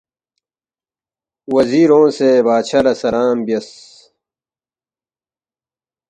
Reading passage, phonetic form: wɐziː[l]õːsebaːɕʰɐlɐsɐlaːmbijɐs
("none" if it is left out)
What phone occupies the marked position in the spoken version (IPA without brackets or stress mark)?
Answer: ɾ